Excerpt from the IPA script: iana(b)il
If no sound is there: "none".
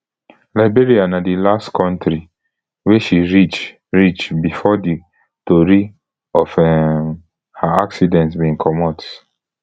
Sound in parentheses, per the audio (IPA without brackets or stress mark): d